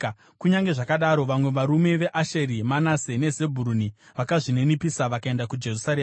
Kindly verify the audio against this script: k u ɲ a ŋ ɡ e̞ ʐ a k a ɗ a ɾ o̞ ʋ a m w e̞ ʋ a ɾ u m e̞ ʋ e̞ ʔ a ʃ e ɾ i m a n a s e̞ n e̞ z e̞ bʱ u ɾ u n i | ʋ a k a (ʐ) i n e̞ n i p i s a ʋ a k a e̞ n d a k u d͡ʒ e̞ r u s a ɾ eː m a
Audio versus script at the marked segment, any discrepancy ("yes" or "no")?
no